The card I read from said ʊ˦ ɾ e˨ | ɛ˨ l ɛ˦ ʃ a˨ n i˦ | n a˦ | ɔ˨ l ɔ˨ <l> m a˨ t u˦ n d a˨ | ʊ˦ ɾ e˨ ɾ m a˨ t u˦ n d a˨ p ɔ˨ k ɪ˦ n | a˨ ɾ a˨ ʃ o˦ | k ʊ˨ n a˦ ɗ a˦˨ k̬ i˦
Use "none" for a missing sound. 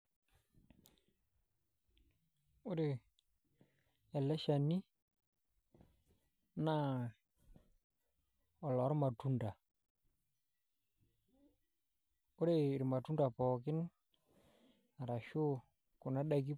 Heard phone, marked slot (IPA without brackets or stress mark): ɾ